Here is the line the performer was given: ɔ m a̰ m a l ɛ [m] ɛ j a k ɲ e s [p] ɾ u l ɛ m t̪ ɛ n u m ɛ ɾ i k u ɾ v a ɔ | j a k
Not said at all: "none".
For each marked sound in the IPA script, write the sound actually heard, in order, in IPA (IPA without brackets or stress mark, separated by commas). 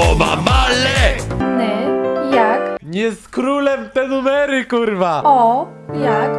n, k